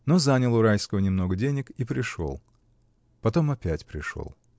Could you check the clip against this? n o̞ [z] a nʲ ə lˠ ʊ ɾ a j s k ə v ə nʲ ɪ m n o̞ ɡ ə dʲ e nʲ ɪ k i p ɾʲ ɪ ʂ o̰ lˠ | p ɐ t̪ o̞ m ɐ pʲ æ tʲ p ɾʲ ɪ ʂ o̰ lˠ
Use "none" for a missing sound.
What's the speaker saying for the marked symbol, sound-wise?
z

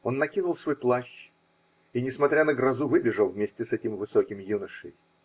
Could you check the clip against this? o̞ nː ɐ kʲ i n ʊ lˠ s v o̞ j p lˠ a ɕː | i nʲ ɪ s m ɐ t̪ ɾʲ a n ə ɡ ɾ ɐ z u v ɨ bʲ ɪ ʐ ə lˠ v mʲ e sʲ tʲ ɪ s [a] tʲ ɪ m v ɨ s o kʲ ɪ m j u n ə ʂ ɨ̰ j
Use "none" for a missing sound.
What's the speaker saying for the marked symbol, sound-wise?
ɛ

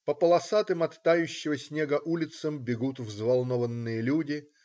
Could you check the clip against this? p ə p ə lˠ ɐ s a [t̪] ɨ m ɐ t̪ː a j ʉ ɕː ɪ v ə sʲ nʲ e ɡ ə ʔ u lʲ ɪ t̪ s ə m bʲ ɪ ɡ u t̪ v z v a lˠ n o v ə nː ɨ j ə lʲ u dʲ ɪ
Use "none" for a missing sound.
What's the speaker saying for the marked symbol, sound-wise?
t̪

